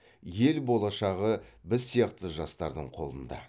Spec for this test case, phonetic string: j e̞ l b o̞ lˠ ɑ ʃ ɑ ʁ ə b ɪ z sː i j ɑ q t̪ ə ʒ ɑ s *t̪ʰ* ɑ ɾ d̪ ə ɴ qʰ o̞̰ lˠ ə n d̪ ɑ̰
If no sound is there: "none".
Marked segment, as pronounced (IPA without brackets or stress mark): t̪